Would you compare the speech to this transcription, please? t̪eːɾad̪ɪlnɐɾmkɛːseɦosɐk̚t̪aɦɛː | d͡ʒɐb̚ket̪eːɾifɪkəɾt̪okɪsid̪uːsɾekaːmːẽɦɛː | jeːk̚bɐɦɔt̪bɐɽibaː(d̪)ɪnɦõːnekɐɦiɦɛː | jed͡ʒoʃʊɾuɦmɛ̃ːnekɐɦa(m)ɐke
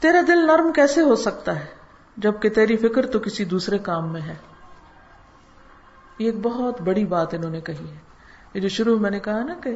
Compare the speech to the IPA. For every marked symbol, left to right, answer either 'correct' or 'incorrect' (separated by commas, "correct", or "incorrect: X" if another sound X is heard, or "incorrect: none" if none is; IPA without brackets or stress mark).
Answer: incorrect: t̪, incorrect: n